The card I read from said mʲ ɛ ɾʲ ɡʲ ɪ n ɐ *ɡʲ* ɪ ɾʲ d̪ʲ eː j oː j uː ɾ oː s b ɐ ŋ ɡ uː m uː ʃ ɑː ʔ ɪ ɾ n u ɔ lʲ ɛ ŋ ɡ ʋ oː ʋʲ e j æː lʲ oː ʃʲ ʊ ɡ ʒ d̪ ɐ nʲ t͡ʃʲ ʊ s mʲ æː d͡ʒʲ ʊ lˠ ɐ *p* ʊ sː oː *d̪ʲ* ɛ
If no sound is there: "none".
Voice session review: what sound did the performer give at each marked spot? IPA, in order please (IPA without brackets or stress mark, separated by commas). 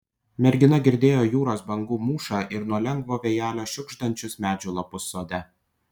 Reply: ɡʲ, p, d̪ʲ